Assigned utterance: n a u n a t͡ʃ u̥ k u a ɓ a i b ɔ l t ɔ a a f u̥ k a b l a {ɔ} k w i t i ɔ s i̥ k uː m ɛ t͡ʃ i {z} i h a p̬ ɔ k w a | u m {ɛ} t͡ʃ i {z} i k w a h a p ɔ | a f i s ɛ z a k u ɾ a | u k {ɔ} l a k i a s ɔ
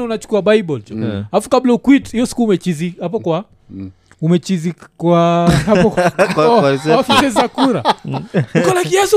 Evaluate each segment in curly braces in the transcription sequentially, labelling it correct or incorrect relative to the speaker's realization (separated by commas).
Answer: incorrect, correct, correct, correct, correct